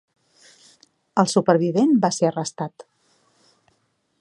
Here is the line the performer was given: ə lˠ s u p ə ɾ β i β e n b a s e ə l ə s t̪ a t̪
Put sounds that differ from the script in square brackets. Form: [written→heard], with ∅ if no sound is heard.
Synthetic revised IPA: ə lˠ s u p ə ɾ β i β e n b a s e ə [l→r] ə s t̪ a t̪